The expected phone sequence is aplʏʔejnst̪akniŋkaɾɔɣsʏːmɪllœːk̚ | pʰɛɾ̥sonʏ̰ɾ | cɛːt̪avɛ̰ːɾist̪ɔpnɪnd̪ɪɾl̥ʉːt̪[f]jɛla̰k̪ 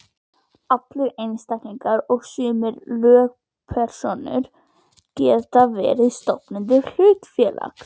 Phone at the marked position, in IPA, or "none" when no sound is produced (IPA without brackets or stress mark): f